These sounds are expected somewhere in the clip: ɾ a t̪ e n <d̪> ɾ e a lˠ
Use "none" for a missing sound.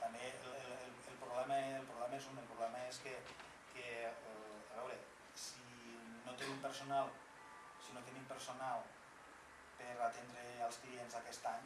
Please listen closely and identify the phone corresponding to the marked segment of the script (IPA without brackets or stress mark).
d̪